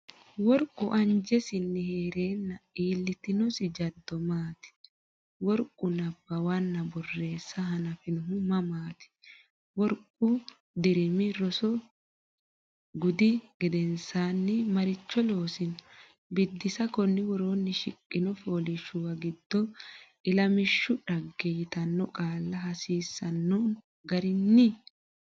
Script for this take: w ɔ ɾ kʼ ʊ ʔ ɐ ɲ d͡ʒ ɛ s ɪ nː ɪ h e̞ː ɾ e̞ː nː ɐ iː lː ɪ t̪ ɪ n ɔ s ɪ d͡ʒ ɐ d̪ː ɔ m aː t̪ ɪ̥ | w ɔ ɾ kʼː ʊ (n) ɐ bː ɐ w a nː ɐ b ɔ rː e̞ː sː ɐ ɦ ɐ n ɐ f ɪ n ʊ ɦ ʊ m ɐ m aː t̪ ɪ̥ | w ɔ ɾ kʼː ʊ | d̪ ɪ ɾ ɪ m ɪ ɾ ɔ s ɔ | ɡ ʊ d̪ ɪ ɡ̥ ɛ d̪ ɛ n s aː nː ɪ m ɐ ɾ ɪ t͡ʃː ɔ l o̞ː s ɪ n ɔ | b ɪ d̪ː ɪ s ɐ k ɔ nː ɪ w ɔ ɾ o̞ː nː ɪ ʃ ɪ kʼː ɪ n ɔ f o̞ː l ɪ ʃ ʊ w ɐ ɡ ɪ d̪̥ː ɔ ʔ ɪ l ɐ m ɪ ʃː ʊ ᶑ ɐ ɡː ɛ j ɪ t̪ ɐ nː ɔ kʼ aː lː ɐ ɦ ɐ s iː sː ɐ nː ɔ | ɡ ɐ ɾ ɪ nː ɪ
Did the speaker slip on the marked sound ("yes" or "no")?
no